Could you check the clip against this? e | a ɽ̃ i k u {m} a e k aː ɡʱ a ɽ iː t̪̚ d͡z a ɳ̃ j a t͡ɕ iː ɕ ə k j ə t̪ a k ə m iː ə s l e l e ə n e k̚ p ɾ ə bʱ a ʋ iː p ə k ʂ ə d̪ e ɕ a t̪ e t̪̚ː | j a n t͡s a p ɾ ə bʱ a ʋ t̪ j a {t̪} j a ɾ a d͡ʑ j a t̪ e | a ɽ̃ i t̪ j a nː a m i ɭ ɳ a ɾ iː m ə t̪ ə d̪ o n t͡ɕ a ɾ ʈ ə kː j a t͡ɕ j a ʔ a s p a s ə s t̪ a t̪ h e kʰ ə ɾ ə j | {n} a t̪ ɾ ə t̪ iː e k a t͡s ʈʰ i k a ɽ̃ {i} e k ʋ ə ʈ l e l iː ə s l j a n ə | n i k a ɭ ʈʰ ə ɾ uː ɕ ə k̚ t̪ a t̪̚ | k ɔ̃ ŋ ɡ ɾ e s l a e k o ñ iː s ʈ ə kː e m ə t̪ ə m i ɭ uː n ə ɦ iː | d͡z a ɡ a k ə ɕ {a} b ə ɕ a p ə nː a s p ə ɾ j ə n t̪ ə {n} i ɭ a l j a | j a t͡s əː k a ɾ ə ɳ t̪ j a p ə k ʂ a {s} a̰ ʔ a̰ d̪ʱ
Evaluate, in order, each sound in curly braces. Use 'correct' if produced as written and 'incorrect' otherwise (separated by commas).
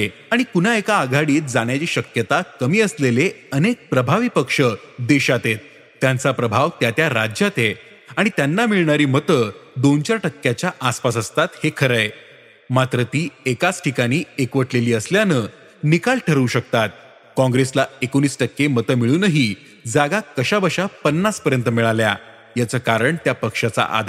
incorrect, correct, incorrect, incorrect, correct, incorrect, incorrect